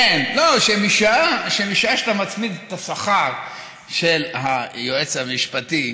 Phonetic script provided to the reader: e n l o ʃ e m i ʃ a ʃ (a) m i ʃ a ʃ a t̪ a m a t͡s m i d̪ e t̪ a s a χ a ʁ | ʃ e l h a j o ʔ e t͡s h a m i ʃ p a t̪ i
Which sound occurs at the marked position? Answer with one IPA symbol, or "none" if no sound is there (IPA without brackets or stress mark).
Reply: e